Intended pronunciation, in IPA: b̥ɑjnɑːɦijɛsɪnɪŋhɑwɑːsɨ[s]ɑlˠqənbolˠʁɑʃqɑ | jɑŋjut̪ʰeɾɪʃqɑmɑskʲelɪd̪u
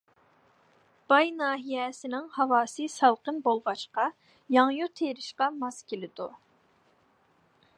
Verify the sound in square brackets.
correct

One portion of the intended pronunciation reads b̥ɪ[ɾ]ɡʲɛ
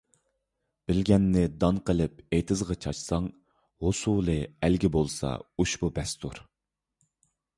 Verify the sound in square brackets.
incorrect: l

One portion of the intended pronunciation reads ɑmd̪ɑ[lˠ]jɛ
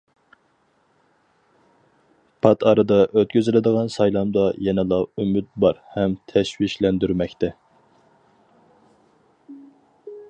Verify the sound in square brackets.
incorrect: none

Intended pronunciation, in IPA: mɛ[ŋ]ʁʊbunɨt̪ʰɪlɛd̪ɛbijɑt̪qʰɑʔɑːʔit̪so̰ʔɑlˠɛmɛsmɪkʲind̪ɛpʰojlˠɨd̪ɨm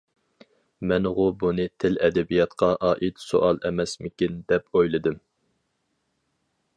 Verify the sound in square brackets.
incorrect: n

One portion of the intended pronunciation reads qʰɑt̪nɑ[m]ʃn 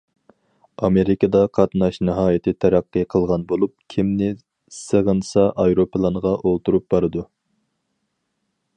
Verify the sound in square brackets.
incorrect: none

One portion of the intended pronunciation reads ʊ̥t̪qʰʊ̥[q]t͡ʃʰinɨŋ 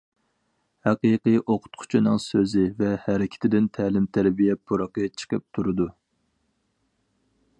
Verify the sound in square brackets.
incorrect: none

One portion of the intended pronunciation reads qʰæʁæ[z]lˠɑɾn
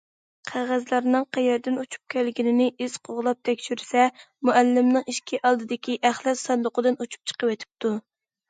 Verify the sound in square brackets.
correct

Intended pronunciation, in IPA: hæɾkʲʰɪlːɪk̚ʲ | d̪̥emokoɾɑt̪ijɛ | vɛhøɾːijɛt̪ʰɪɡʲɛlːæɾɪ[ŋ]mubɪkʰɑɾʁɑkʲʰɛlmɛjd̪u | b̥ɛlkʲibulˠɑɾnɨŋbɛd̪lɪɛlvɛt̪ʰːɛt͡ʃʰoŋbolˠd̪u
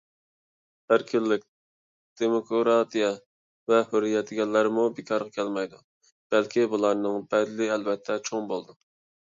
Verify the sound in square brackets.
incorrect: none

